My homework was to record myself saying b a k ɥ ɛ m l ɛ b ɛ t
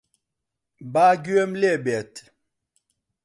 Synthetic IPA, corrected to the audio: b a ɡ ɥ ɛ m l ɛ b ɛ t